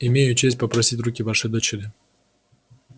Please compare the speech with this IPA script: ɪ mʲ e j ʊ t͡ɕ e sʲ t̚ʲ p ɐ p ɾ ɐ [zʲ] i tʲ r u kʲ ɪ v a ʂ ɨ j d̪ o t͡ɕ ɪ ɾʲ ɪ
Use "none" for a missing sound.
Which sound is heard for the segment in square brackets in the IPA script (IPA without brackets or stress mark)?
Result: sʲ